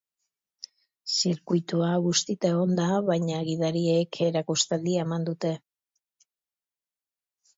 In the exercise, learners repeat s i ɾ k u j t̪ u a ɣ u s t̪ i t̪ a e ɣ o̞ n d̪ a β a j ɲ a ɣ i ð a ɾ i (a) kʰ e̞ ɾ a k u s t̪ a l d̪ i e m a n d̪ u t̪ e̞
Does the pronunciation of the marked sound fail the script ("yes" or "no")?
yes